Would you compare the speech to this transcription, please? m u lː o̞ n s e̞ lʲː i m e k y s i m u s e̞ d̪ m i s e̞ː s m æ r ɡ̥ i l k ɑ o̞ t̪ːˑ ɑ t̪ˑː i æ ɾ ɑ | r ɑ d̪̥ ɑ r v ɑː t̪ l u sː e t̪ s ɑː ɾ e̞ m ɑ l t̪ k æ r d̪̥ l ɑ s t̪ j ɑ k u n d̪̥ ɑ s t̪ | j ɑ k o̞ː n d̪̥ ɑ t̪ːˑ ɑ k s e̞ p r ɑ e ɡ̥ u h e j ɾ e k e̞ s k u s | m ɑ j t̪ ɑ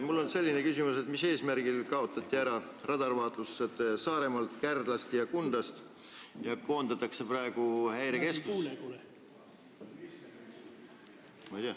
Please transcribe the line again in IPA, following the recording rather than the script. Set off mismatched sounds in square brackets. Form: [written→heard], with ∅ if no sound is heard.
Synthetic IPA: m u lː o̞ n s e̞ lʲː i [m→n] e k y s i m u s e̞ [d̪→t̪] m i s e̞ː s m æ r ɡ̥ i l k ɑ o̞ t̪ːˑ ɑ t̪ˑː i æ ɾ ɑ | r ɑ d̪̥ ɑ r v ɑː t̪ l u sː e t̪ s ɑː ɾ e̞ m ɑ l t̪ k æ r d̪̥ l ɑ s t̪ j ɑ k u n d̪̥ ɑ s t̪ | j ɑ k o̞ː n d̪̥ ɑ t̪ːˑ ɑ k s e̞ p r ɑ e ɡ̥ u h [e→æ] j ɾ e k e̞ s k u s | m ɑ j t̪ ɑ

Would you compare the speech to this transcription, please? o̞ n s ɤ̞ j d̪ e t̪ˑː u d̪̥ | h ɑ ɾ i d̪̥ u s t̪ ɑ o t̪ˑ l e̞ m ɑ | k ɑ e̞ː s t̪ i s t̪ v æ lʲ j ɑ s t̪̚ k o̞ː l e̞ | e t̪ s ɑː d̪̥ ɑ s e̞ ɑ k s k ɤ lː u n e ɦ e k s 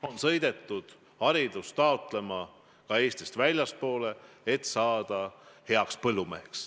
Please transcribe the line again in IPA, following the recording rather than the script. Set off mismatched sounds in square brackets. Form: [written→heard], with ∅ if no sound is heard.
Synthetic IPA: o̞ n s ɤ̞ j d̪ e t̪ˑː u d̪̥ | h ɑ ɾ i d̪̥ u s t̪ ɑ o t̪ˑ l e̞ m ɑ | k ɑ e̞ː s t̪ i s t̪ v æ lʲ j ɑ s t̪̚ [k→p] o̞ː l e̞ | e t̪ s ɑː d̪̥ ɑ [s→h] e̞ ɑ k s [k→p] ɤ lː u [n→m] e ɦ e k s

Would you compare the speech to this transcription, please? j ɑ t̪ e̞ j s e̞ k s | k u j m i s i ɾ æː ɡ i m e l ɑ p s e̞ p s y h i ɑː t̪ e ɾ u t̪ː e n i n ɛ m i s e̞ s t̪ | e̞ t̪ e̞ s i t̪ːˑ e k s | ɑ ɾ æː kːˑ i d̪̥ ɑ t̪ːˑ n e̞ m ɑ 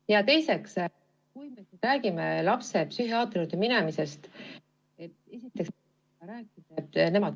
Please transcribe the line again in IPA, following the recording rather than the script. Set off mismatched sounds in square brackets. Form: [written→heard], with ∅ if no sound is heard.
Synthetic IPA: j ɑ t̪ e̞ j s e̞ k s | k u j m [i→e] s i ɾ æː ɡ i m e l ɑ p s e̞ p s y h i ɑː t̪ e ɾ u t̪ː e [n→m] i n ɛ m i s e̞ s t̪ | e̞ t̪ e̞ s i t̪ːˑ e k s | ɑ ɾ æː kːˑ i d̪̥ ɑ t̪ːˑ n e̞ m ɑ

